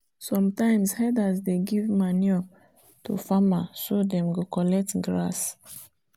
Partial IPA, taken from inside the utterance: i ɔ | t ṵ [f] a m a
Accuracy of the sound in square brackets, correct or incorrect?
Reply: correct